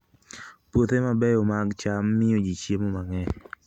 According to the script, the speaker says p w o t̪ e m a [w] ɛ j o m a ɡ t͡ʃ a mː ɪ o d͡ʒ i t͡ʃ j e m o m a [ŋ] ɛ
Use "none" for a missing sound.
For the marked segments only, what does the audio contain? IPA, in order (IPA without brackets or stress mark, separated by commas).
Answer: b, ŋ